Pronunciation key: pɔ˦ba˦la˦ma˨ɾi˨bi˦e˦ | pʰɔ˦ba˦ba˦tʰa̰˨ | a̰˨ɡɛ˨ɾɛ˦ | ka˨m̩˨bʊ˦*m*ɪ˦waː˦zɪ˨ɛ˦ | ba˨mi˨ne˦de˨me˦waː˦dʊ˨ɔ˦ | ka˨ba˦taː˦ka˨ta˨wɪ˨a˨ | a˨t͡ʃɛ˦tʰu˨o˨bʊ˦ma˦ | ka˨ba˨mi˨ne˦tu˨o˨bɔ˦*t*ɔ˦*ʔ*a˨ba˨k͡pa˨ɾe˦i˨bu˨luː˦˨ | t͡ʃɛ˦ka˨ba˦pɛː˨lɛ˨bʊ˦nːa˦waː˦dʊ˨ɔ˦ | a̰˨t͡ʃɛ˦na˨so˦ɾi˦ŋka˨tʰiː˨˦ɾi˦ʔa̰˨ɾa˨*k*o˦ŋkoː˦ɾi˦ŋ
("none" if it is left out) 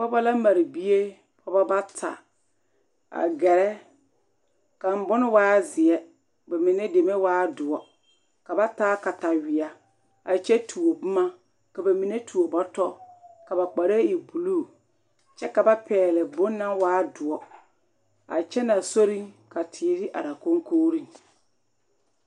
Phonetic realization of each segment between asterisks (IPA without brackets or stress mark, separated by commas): n, t, k, k